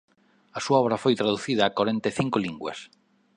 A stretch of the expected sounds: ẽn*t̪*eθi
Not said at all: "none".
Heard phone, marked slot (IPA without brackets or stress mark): t̪